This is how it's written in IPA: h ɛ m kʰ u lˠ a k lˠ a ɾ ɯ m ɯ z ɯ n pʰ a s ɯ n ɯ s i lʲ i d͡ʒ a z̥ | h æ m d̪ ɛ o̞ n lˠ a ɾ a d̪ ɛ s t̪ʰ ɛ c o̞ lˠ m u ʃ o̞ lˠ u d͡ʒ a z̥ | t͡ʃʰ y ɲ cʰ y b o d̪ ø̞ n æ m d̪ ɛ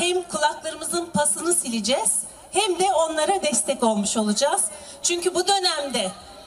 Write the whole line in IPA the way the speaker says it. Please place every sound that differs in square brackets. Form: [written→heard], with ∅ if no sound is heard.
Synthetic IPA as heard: h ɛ m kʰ u lˠ a k lˠ a ɾ ɯ m ɯ z ɯ n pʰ a s ɯ n ɯ s i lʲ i d͡ʒ [a→ɛ] z̥ | h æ m d̪ ɛ o̞ n lˠ a ɾ a d̪ ɛ s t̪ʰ ɛ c o̞ lˠ m u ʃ o̞ lˠ u d͡ʒ a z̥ | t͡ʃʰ y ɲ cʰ y b [o→u] d̪ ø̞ n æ m d̪ ɛ